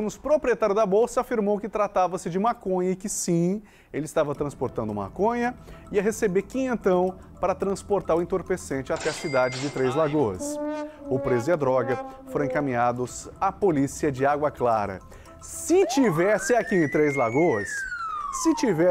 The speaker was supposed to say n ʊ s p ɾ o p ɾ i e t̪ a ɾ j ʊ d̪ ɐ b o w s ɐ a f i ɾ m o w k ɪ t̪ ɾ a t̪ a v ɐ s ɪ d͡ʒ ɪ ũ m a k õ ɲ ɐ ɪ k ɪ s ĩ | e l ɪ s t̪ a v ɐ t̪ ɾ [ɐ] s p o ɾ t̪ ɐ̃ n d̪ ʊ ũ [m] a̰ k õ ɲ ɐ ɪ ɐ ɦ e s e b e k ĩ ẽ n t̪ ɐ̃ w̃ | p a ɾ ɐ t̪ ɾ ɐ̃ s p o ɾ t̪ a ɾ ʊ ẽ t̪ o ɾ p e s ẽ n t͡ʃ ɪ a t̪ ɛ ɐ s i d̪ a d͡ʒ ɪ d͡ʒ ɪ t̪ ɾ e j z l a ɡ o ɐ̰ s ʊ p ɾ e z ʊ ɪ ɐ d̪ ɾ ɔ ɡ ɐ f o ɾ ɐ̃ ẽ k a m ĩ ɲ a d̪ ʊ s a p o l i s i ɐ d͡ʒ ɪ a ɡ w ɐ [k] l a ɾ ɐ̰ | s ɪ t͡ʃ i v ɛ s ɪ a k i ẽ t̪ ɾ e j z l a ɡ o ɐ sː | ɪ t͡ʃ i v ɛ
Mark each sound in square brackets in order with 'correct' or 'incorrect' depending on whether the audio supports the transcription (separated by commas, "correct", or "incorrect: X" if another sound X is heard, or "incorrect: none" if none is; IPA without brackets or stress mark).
incorrect: ɐ̃, correct, correct